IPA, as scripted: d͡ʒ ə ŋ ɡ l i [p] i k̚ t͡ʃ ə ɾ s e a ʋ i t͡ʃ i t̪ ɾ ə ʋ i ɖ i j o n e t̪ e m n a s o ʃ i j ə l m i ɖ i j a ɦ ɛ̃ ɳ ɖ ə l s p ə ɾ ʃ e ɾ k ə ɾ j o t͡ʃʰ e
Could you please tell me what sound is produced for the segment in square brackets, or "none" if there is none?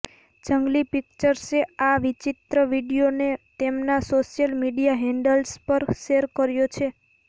p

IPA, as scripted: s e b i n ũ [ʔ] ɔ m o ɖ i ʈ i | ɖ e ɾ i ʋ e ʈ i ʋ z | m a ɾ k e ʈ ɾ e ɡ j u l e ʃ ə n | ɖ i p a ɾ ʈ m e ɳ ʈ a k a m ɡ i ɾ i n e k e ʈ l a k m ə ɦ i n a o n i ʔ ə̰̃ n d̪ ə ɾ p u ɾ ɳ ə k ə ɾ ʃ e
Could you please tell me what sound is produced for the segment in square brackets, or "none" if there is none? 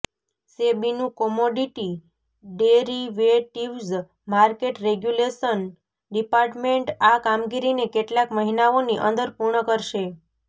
k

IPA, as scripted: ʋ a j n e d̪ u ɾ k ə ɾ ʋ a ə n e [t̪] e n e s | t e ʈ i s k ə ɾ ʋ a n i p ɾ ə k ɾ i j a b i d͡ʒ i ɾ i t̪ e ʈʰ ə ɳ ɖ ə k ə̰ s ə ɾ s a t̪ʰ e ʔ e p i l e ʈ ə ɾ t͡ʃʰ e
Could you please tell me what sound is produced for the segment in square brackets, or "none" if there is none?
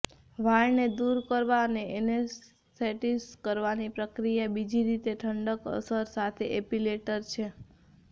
none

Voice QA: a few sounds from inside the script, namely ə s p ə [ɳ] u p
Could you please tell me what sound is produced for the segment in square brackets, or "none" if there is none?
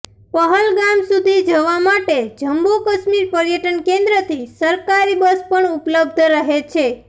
ɳ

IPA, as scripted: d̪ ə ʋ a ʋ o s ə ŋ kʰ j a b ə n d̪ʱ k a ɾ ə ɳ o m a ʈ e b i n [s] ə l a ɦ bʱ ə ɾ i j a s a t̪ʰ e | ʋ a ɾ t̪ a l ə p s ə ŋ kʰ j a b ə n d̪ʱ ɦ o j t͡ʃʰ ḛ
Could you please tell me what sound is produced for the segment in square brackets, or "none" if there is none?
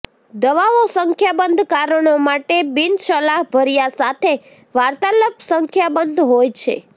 ʃ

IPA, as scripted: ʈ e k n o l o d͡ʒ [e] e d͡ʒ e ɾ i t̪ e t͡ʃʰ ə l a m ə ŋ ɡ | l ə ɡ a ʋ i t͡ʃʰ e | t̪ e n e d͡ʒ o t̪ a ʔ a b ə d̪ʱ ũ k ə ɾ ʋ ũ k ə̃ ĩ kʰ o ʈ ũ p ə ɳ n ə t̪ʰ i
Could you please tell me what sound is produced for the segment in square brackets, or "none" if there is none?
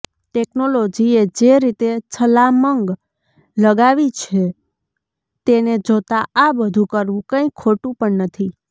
i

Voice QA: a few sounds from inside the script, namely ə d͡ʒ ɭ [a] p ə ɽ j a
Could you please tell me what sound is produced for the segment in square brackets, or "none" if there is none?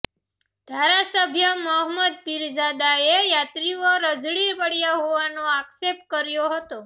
i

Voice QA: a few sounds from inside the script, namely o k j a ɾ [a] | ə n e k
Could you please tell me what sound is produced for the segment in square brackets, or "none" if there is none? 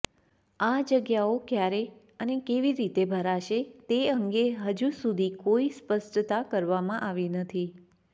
e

